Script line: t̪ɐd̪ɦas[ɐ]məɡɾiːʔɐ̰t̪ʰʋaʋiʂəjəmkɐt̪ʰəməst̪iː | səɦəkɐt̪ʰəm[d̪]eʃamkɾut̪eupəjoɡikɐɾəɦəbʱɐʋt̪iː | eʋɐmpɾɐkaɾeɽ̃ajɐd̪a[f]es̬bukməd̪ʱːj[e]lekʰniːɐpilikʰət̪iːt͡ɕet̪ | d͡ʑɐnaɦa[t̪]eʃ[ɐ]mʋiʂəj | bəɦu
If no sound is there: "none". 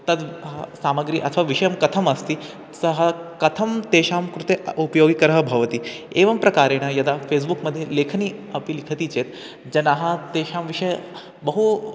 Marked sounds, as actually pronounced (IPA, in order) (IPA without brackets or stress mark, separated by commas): a, t̪, f, e, t̪, a